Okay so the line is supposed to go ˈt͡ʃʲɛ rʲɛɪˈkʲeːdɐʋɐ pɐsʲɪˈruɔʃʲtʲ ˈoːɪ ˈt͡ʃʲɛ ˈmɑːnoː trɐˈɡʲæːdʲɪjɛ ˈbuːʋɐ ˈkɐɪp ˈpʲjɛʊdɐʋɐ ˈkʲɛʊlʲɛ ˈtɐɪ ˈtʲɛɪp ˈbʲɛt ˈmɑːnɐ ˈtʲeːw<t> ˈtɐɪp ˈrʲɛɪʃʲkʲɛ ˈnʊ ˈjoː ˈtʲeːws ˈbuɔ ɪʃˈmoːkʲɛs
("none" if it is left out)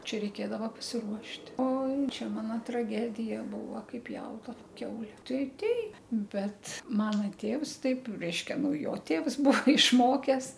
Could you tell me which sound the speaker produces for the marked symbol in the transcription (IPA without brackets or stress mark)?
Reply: s